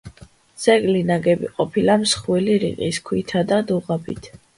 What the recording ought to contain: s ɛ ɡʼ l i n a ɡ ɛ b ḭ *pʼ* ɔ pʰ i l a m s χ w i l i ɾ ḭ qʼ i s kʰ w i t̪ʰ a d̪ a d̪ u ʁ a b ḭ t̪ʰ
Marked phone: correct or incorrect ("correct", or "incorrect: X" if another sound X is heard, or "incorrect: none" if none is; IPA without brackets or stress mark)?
incorrect: qʼ